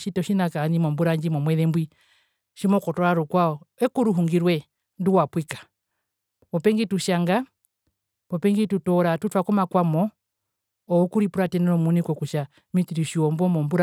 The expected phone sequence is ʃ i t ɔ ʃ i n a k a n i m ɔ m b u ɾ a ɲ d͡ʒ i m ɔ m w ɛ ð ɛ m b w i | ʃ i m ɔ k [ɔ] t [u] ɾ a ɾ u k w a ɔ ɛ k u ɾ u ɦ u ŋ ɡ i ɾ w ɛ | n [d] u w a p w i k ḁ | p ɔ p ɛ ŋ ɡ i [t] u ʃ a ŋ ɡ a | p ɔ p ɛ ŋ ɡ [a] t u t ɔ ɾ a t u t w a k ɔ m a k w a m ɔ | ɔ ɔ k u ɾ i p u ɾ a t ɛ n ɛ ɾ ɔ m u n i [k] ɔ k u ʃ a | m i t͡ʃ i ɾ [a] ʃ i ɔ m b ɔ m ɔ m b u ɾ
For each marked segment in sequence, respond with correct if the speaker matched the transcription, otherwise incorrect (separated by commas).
correct, incorrect, correct, correct, incorrect, correct, incorrect